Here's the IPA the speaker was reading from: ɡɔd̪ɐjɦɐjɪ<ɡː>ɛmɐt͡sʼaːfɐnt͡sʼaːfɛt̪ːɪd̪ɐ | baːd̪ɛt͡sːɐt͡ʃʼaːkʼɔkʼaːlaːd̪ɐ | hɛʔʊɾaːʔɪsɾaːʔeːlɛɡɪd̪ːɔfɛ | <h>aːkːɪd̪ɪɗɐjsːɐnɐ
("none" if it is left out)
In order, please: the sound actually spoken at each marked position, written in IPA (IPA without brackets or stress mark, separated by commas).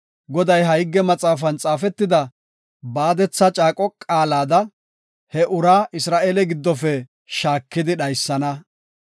ɡː, ʃ